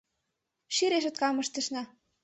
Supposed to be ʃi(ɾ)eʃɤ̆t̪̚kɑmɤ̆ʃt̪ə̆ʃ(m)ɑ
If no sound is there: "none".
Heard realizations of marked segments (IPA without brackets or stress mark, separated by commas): ɾ, n